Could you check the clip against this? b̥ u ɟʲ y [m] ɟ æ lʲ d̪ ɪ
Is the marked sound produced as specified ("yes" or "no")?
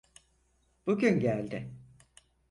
no